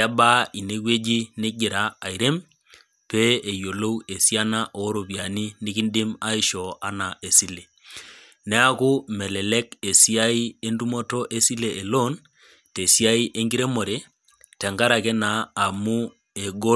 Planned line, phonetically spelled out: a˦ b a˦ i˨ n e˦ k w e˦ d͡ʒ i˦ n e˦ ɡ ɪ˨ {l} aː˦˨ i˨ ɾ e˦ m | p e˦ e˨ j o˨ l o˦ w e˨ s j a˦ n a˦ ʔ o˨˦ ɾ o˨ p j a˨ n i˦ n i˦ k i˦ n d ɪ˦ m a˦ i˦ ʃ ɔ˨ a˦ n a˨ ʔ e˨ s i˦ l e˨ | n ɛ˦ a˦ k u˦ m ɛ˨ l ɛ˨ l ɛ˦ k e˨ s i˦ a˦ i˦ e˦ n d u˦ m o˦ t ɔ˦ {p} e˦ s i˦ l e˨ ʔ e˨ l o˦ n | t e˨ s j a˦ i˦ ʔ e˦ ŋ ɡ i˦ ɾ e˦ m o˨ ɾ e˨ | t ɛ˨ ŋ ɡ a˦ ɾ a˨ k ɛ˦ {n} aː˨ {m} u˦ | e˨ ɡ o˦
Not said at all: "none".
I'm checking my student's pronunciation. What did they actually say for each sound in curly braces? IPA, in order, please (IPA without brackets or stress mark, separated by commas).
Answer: ɾ, ʔ, n, m